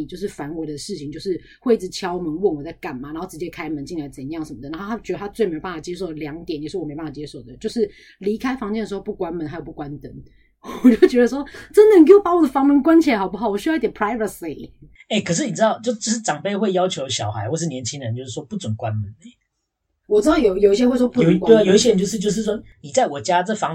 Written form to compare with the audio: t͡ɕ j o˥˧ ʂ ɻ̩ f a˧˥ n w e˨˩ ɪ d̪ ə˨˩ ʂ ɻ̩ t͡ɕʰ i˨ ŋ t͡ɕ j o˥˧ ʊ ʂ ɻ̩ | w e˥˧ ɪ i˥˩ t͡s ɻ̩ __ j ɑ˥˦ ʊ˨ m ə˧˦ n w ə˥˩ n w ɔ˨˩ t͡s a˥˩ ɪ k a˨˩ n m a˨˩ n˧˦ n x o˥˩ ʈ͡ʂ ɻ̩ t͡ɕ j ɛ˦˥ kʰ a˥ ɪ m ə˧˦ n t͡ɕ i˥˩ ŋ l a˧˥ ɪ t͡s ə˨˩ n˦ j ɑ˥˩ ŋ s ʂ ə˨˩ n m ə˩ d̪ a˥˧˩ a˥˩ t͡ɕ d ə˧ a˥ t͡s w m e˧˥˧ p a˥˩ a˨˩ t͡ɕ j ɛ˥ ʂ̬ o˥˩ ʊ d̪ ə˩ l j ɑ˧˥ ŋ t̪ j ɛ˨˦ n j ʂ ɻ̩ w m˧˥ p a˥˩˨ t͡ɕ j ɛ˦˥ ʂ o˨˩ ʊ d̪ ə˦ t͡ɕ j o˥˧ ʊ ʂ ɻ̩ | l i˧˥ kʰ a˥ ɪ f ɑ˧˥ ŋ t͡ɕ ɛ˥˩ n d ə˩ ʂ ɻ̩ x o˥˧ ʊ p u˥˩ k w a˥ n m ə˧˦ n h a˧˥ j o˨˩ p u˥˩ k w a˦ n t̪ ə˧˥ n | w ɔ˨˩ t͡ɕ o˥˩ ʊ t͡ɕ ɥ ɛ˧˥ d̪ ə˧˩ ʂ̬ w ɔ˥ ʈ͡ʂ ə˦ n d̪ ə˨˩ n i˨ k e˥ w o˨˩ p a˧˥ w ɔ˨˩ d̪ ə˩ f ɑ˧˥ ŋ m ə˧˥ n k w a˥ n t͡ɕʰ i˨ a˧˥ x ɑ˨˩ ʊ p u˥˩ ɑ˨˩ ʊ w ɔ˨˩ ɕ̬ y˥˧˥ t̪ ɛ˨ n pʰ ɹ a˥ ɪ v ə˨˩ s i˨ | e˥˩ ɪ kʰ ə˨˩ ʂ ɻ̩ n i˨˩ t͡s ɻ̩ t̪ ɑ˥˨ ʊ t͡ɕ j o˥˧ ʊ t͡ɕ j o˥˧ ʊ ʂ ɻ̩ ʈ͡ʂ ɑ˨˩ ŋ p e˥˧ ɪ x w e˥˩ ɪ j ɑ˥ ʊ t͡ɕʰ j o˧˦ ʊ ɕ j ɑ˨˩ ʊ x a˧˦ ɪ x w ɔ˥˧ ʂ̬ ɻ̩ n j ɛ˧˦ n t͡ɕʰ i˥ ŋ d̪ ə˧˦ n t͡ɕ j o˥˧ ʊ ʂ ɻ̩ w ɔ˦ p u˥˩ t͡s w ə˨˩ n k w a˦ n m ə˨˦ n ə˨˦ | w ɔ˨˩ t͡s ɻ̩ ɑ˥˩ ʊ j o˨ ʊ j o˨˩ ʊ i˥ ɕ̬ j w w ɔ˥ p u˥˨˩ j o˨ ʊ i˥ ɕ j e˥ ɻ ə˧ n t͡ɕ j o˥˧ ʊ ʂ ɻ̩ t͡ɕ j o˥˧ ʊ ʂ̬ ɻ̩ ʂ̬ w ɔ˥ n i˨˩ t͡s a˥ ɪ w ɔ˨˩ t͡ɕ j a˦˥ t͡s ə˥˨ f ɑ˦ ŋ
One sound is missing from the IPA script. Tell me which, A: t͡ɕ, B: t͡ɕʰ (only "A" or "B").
B